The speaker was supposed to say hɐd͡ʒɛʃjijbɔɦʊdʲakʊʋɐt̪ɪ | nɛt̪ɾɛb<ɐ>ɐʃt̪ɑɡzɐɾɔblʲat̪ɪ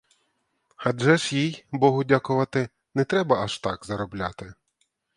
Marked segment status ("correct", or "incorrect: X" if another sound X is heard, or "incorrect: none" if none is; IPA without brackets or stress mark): correct